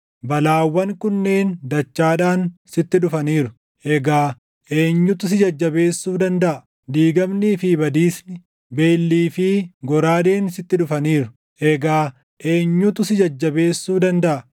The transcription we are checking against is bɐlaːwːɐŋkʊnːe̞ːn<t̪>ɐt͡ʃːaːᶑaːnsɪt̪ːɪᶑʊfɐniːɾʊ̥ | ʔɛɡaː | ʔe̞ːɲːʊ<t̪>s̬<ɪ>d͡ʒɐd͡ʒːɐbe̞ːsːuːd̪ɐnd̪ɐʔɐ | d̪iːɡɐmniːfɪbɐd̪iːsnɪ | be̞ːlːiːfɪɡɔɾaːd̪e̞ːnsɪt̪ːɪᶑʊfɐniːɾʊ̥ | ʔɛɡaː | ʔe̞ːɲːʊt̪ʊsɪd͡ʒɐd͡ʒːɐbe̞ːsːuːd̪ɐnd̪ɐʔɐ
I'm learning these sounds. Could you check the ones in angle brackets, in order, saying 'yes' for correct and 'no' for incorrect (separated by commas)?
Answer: no, yes, yes